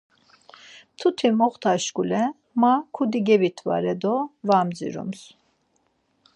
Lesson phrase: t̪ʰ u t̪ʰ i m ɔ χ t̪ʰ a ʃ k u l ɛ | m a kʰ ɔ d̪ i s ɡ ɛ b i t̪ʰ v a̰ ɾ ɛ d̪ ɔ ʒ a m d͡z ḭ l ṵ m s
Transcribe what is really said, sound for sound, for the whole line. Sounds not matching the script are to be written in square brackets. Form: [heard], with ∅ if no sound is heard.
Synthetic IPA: t̪ʰ u t̪ʰ i m ɔ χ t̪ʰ a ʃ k u l ɛ | m a kʰ [u] d̪ i [∅] ɡ ɛ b i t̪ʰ v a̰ ɾ ɛ d̪ ɔ [v] a m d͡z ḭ [ɾ] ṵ m s